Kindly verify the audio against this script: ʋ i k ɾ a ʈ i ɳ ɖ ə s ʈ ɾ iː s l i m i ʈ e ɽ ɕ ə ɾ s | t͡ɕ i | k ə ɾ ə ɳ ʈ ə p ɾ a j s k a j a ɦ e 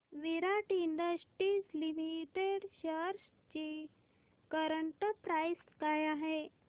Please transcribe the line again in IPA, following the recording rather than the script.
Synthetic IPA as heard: ʋ i ɾ a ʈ i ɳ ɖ ə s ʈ ɾ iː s l i m i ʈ e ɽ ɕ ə ɾ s | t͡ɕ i | k ə ɾ ə ɳ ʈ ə p ɾ a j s k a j a ɦ e